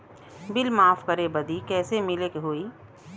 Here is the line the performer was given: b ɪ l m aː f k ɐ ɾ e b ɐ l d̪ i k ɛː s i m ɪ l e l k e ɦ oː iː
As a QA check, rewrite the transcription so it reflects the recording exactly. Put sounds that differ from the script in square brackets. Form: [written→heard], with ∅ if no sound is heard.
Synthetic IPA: b ɪ l m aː f k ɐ ɾ e b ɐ [l→∅] d̪ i k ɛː s [i→e] m ɪ l e [l→∅] k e ɦ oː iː